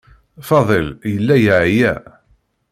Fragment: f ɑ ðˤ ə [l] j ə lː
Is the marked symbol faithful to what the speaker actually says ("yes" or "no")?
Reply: yes